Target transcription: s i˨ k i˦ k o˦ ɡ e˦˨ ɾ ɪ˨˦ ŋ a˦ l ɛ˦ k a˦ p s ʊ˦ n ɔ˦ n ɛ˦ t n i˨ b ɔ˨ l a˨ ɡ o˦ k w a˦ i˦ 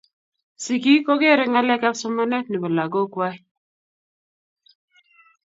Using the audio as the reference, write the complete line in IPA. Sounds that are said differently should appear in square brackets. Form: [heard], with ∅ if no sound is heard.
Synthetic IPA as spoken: s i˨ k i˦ k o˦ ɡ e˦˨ ɾ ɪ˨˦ ŋ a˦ l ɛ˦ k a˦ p s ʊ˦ [m] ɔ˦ n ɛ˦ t n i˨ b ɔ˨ l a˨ ɡ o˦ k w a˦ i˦